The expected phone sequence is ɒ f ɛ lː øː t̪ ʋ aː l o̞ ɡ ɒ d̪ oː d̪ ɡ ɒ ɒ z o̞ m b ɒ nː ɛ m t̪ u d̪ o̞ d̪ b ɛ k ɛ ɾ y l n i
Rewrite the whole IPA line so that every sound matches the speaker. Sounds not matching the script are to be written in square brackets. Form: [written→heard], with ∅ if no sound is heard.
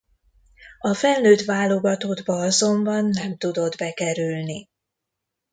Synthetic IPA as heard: ɒ f ɛ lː øː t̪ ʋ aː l o̞ ɡ ɒ [d̪→t̪] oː d̪ [ɡ→b] ɒ ɒ z o̞ m b ɒ nː ɛ m t̪ u d̪ o̞ d̪ b ɛ k ɛ ɾ y l n i